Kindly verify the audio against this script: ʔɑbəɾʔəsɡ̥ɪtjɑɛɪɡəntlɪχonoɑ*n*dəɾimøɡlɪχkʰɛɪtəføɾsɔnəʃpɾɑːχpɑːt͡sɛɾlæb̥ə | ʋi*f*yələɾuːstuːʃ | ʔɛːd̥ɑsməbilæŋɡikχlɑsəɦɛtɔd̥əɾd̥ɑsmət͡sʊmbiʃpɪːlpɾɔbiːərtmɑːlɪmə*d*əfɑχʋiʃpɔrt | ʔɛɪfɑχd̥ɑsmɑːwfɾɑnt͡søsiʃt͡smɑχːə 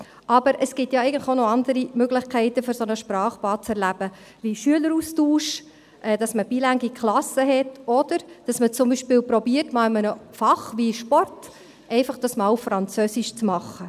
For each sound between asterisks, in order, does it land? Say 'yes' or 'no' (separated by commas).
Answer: yes, no, no